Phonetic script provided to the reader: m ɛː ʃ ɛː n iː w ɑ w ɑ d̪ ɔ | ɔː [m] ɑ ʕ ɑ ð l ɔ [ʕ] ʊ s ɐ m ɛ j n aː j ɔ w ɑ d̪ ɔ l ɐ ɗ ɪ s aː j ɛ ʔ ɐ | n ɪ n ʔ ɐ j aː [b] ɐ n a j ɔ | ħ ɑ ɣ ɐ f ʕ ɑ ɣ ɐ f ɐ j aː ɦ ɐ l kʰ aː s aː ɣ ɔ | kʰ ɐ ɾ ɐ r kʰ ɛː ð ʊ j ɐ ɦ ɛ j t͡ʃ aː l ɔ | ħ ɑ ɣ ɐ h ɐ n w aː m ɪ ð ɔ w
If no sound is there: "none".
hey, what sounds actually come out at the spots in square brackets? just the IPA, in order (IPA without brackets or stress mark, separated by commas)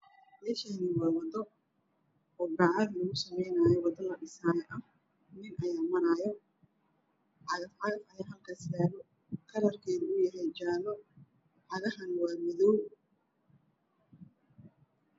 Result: b, ɣ, m